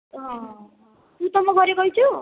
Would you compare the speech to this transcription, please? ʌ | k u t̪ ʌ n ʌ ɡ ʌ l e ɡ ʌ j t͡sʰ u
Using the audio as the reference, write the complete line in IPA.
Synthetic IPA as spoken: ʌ | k u t̪ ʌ m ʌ ɡ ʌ ɾ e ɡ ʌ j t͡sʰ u